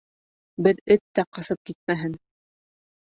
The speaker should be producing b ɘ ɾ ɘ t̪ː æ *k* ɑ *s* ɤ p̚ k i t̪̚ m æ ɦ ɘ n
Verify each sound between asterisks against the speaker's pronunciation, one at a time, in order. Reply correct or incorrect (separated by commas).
incorrect, correct